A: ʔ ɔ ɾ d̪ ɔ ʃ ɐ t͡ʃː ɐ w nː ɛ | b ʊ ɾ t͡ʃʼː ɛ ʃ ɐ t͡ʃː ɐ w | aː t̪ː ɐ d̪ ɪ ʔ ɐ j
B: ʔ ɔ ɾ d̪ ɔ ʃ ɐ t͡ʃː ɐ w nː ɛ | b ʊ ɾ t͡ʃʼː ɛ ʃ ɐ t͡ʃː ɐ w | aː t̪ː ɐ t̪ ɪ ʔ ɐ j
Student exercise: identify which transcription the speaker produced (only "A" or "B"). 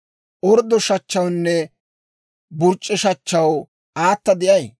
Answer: A